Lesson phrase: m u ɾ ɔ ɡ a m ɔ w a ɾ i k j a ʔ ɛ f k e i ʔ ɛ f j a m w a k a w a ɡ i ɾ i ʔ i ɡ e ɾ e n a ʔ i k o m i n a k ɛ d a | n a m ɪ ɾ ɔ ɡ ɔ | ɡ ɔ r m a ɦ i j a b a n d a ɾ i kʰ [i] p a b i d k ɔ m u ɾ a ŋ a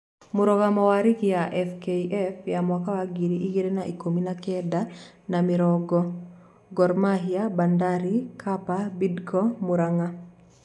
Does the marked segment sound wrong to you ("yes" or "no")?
yes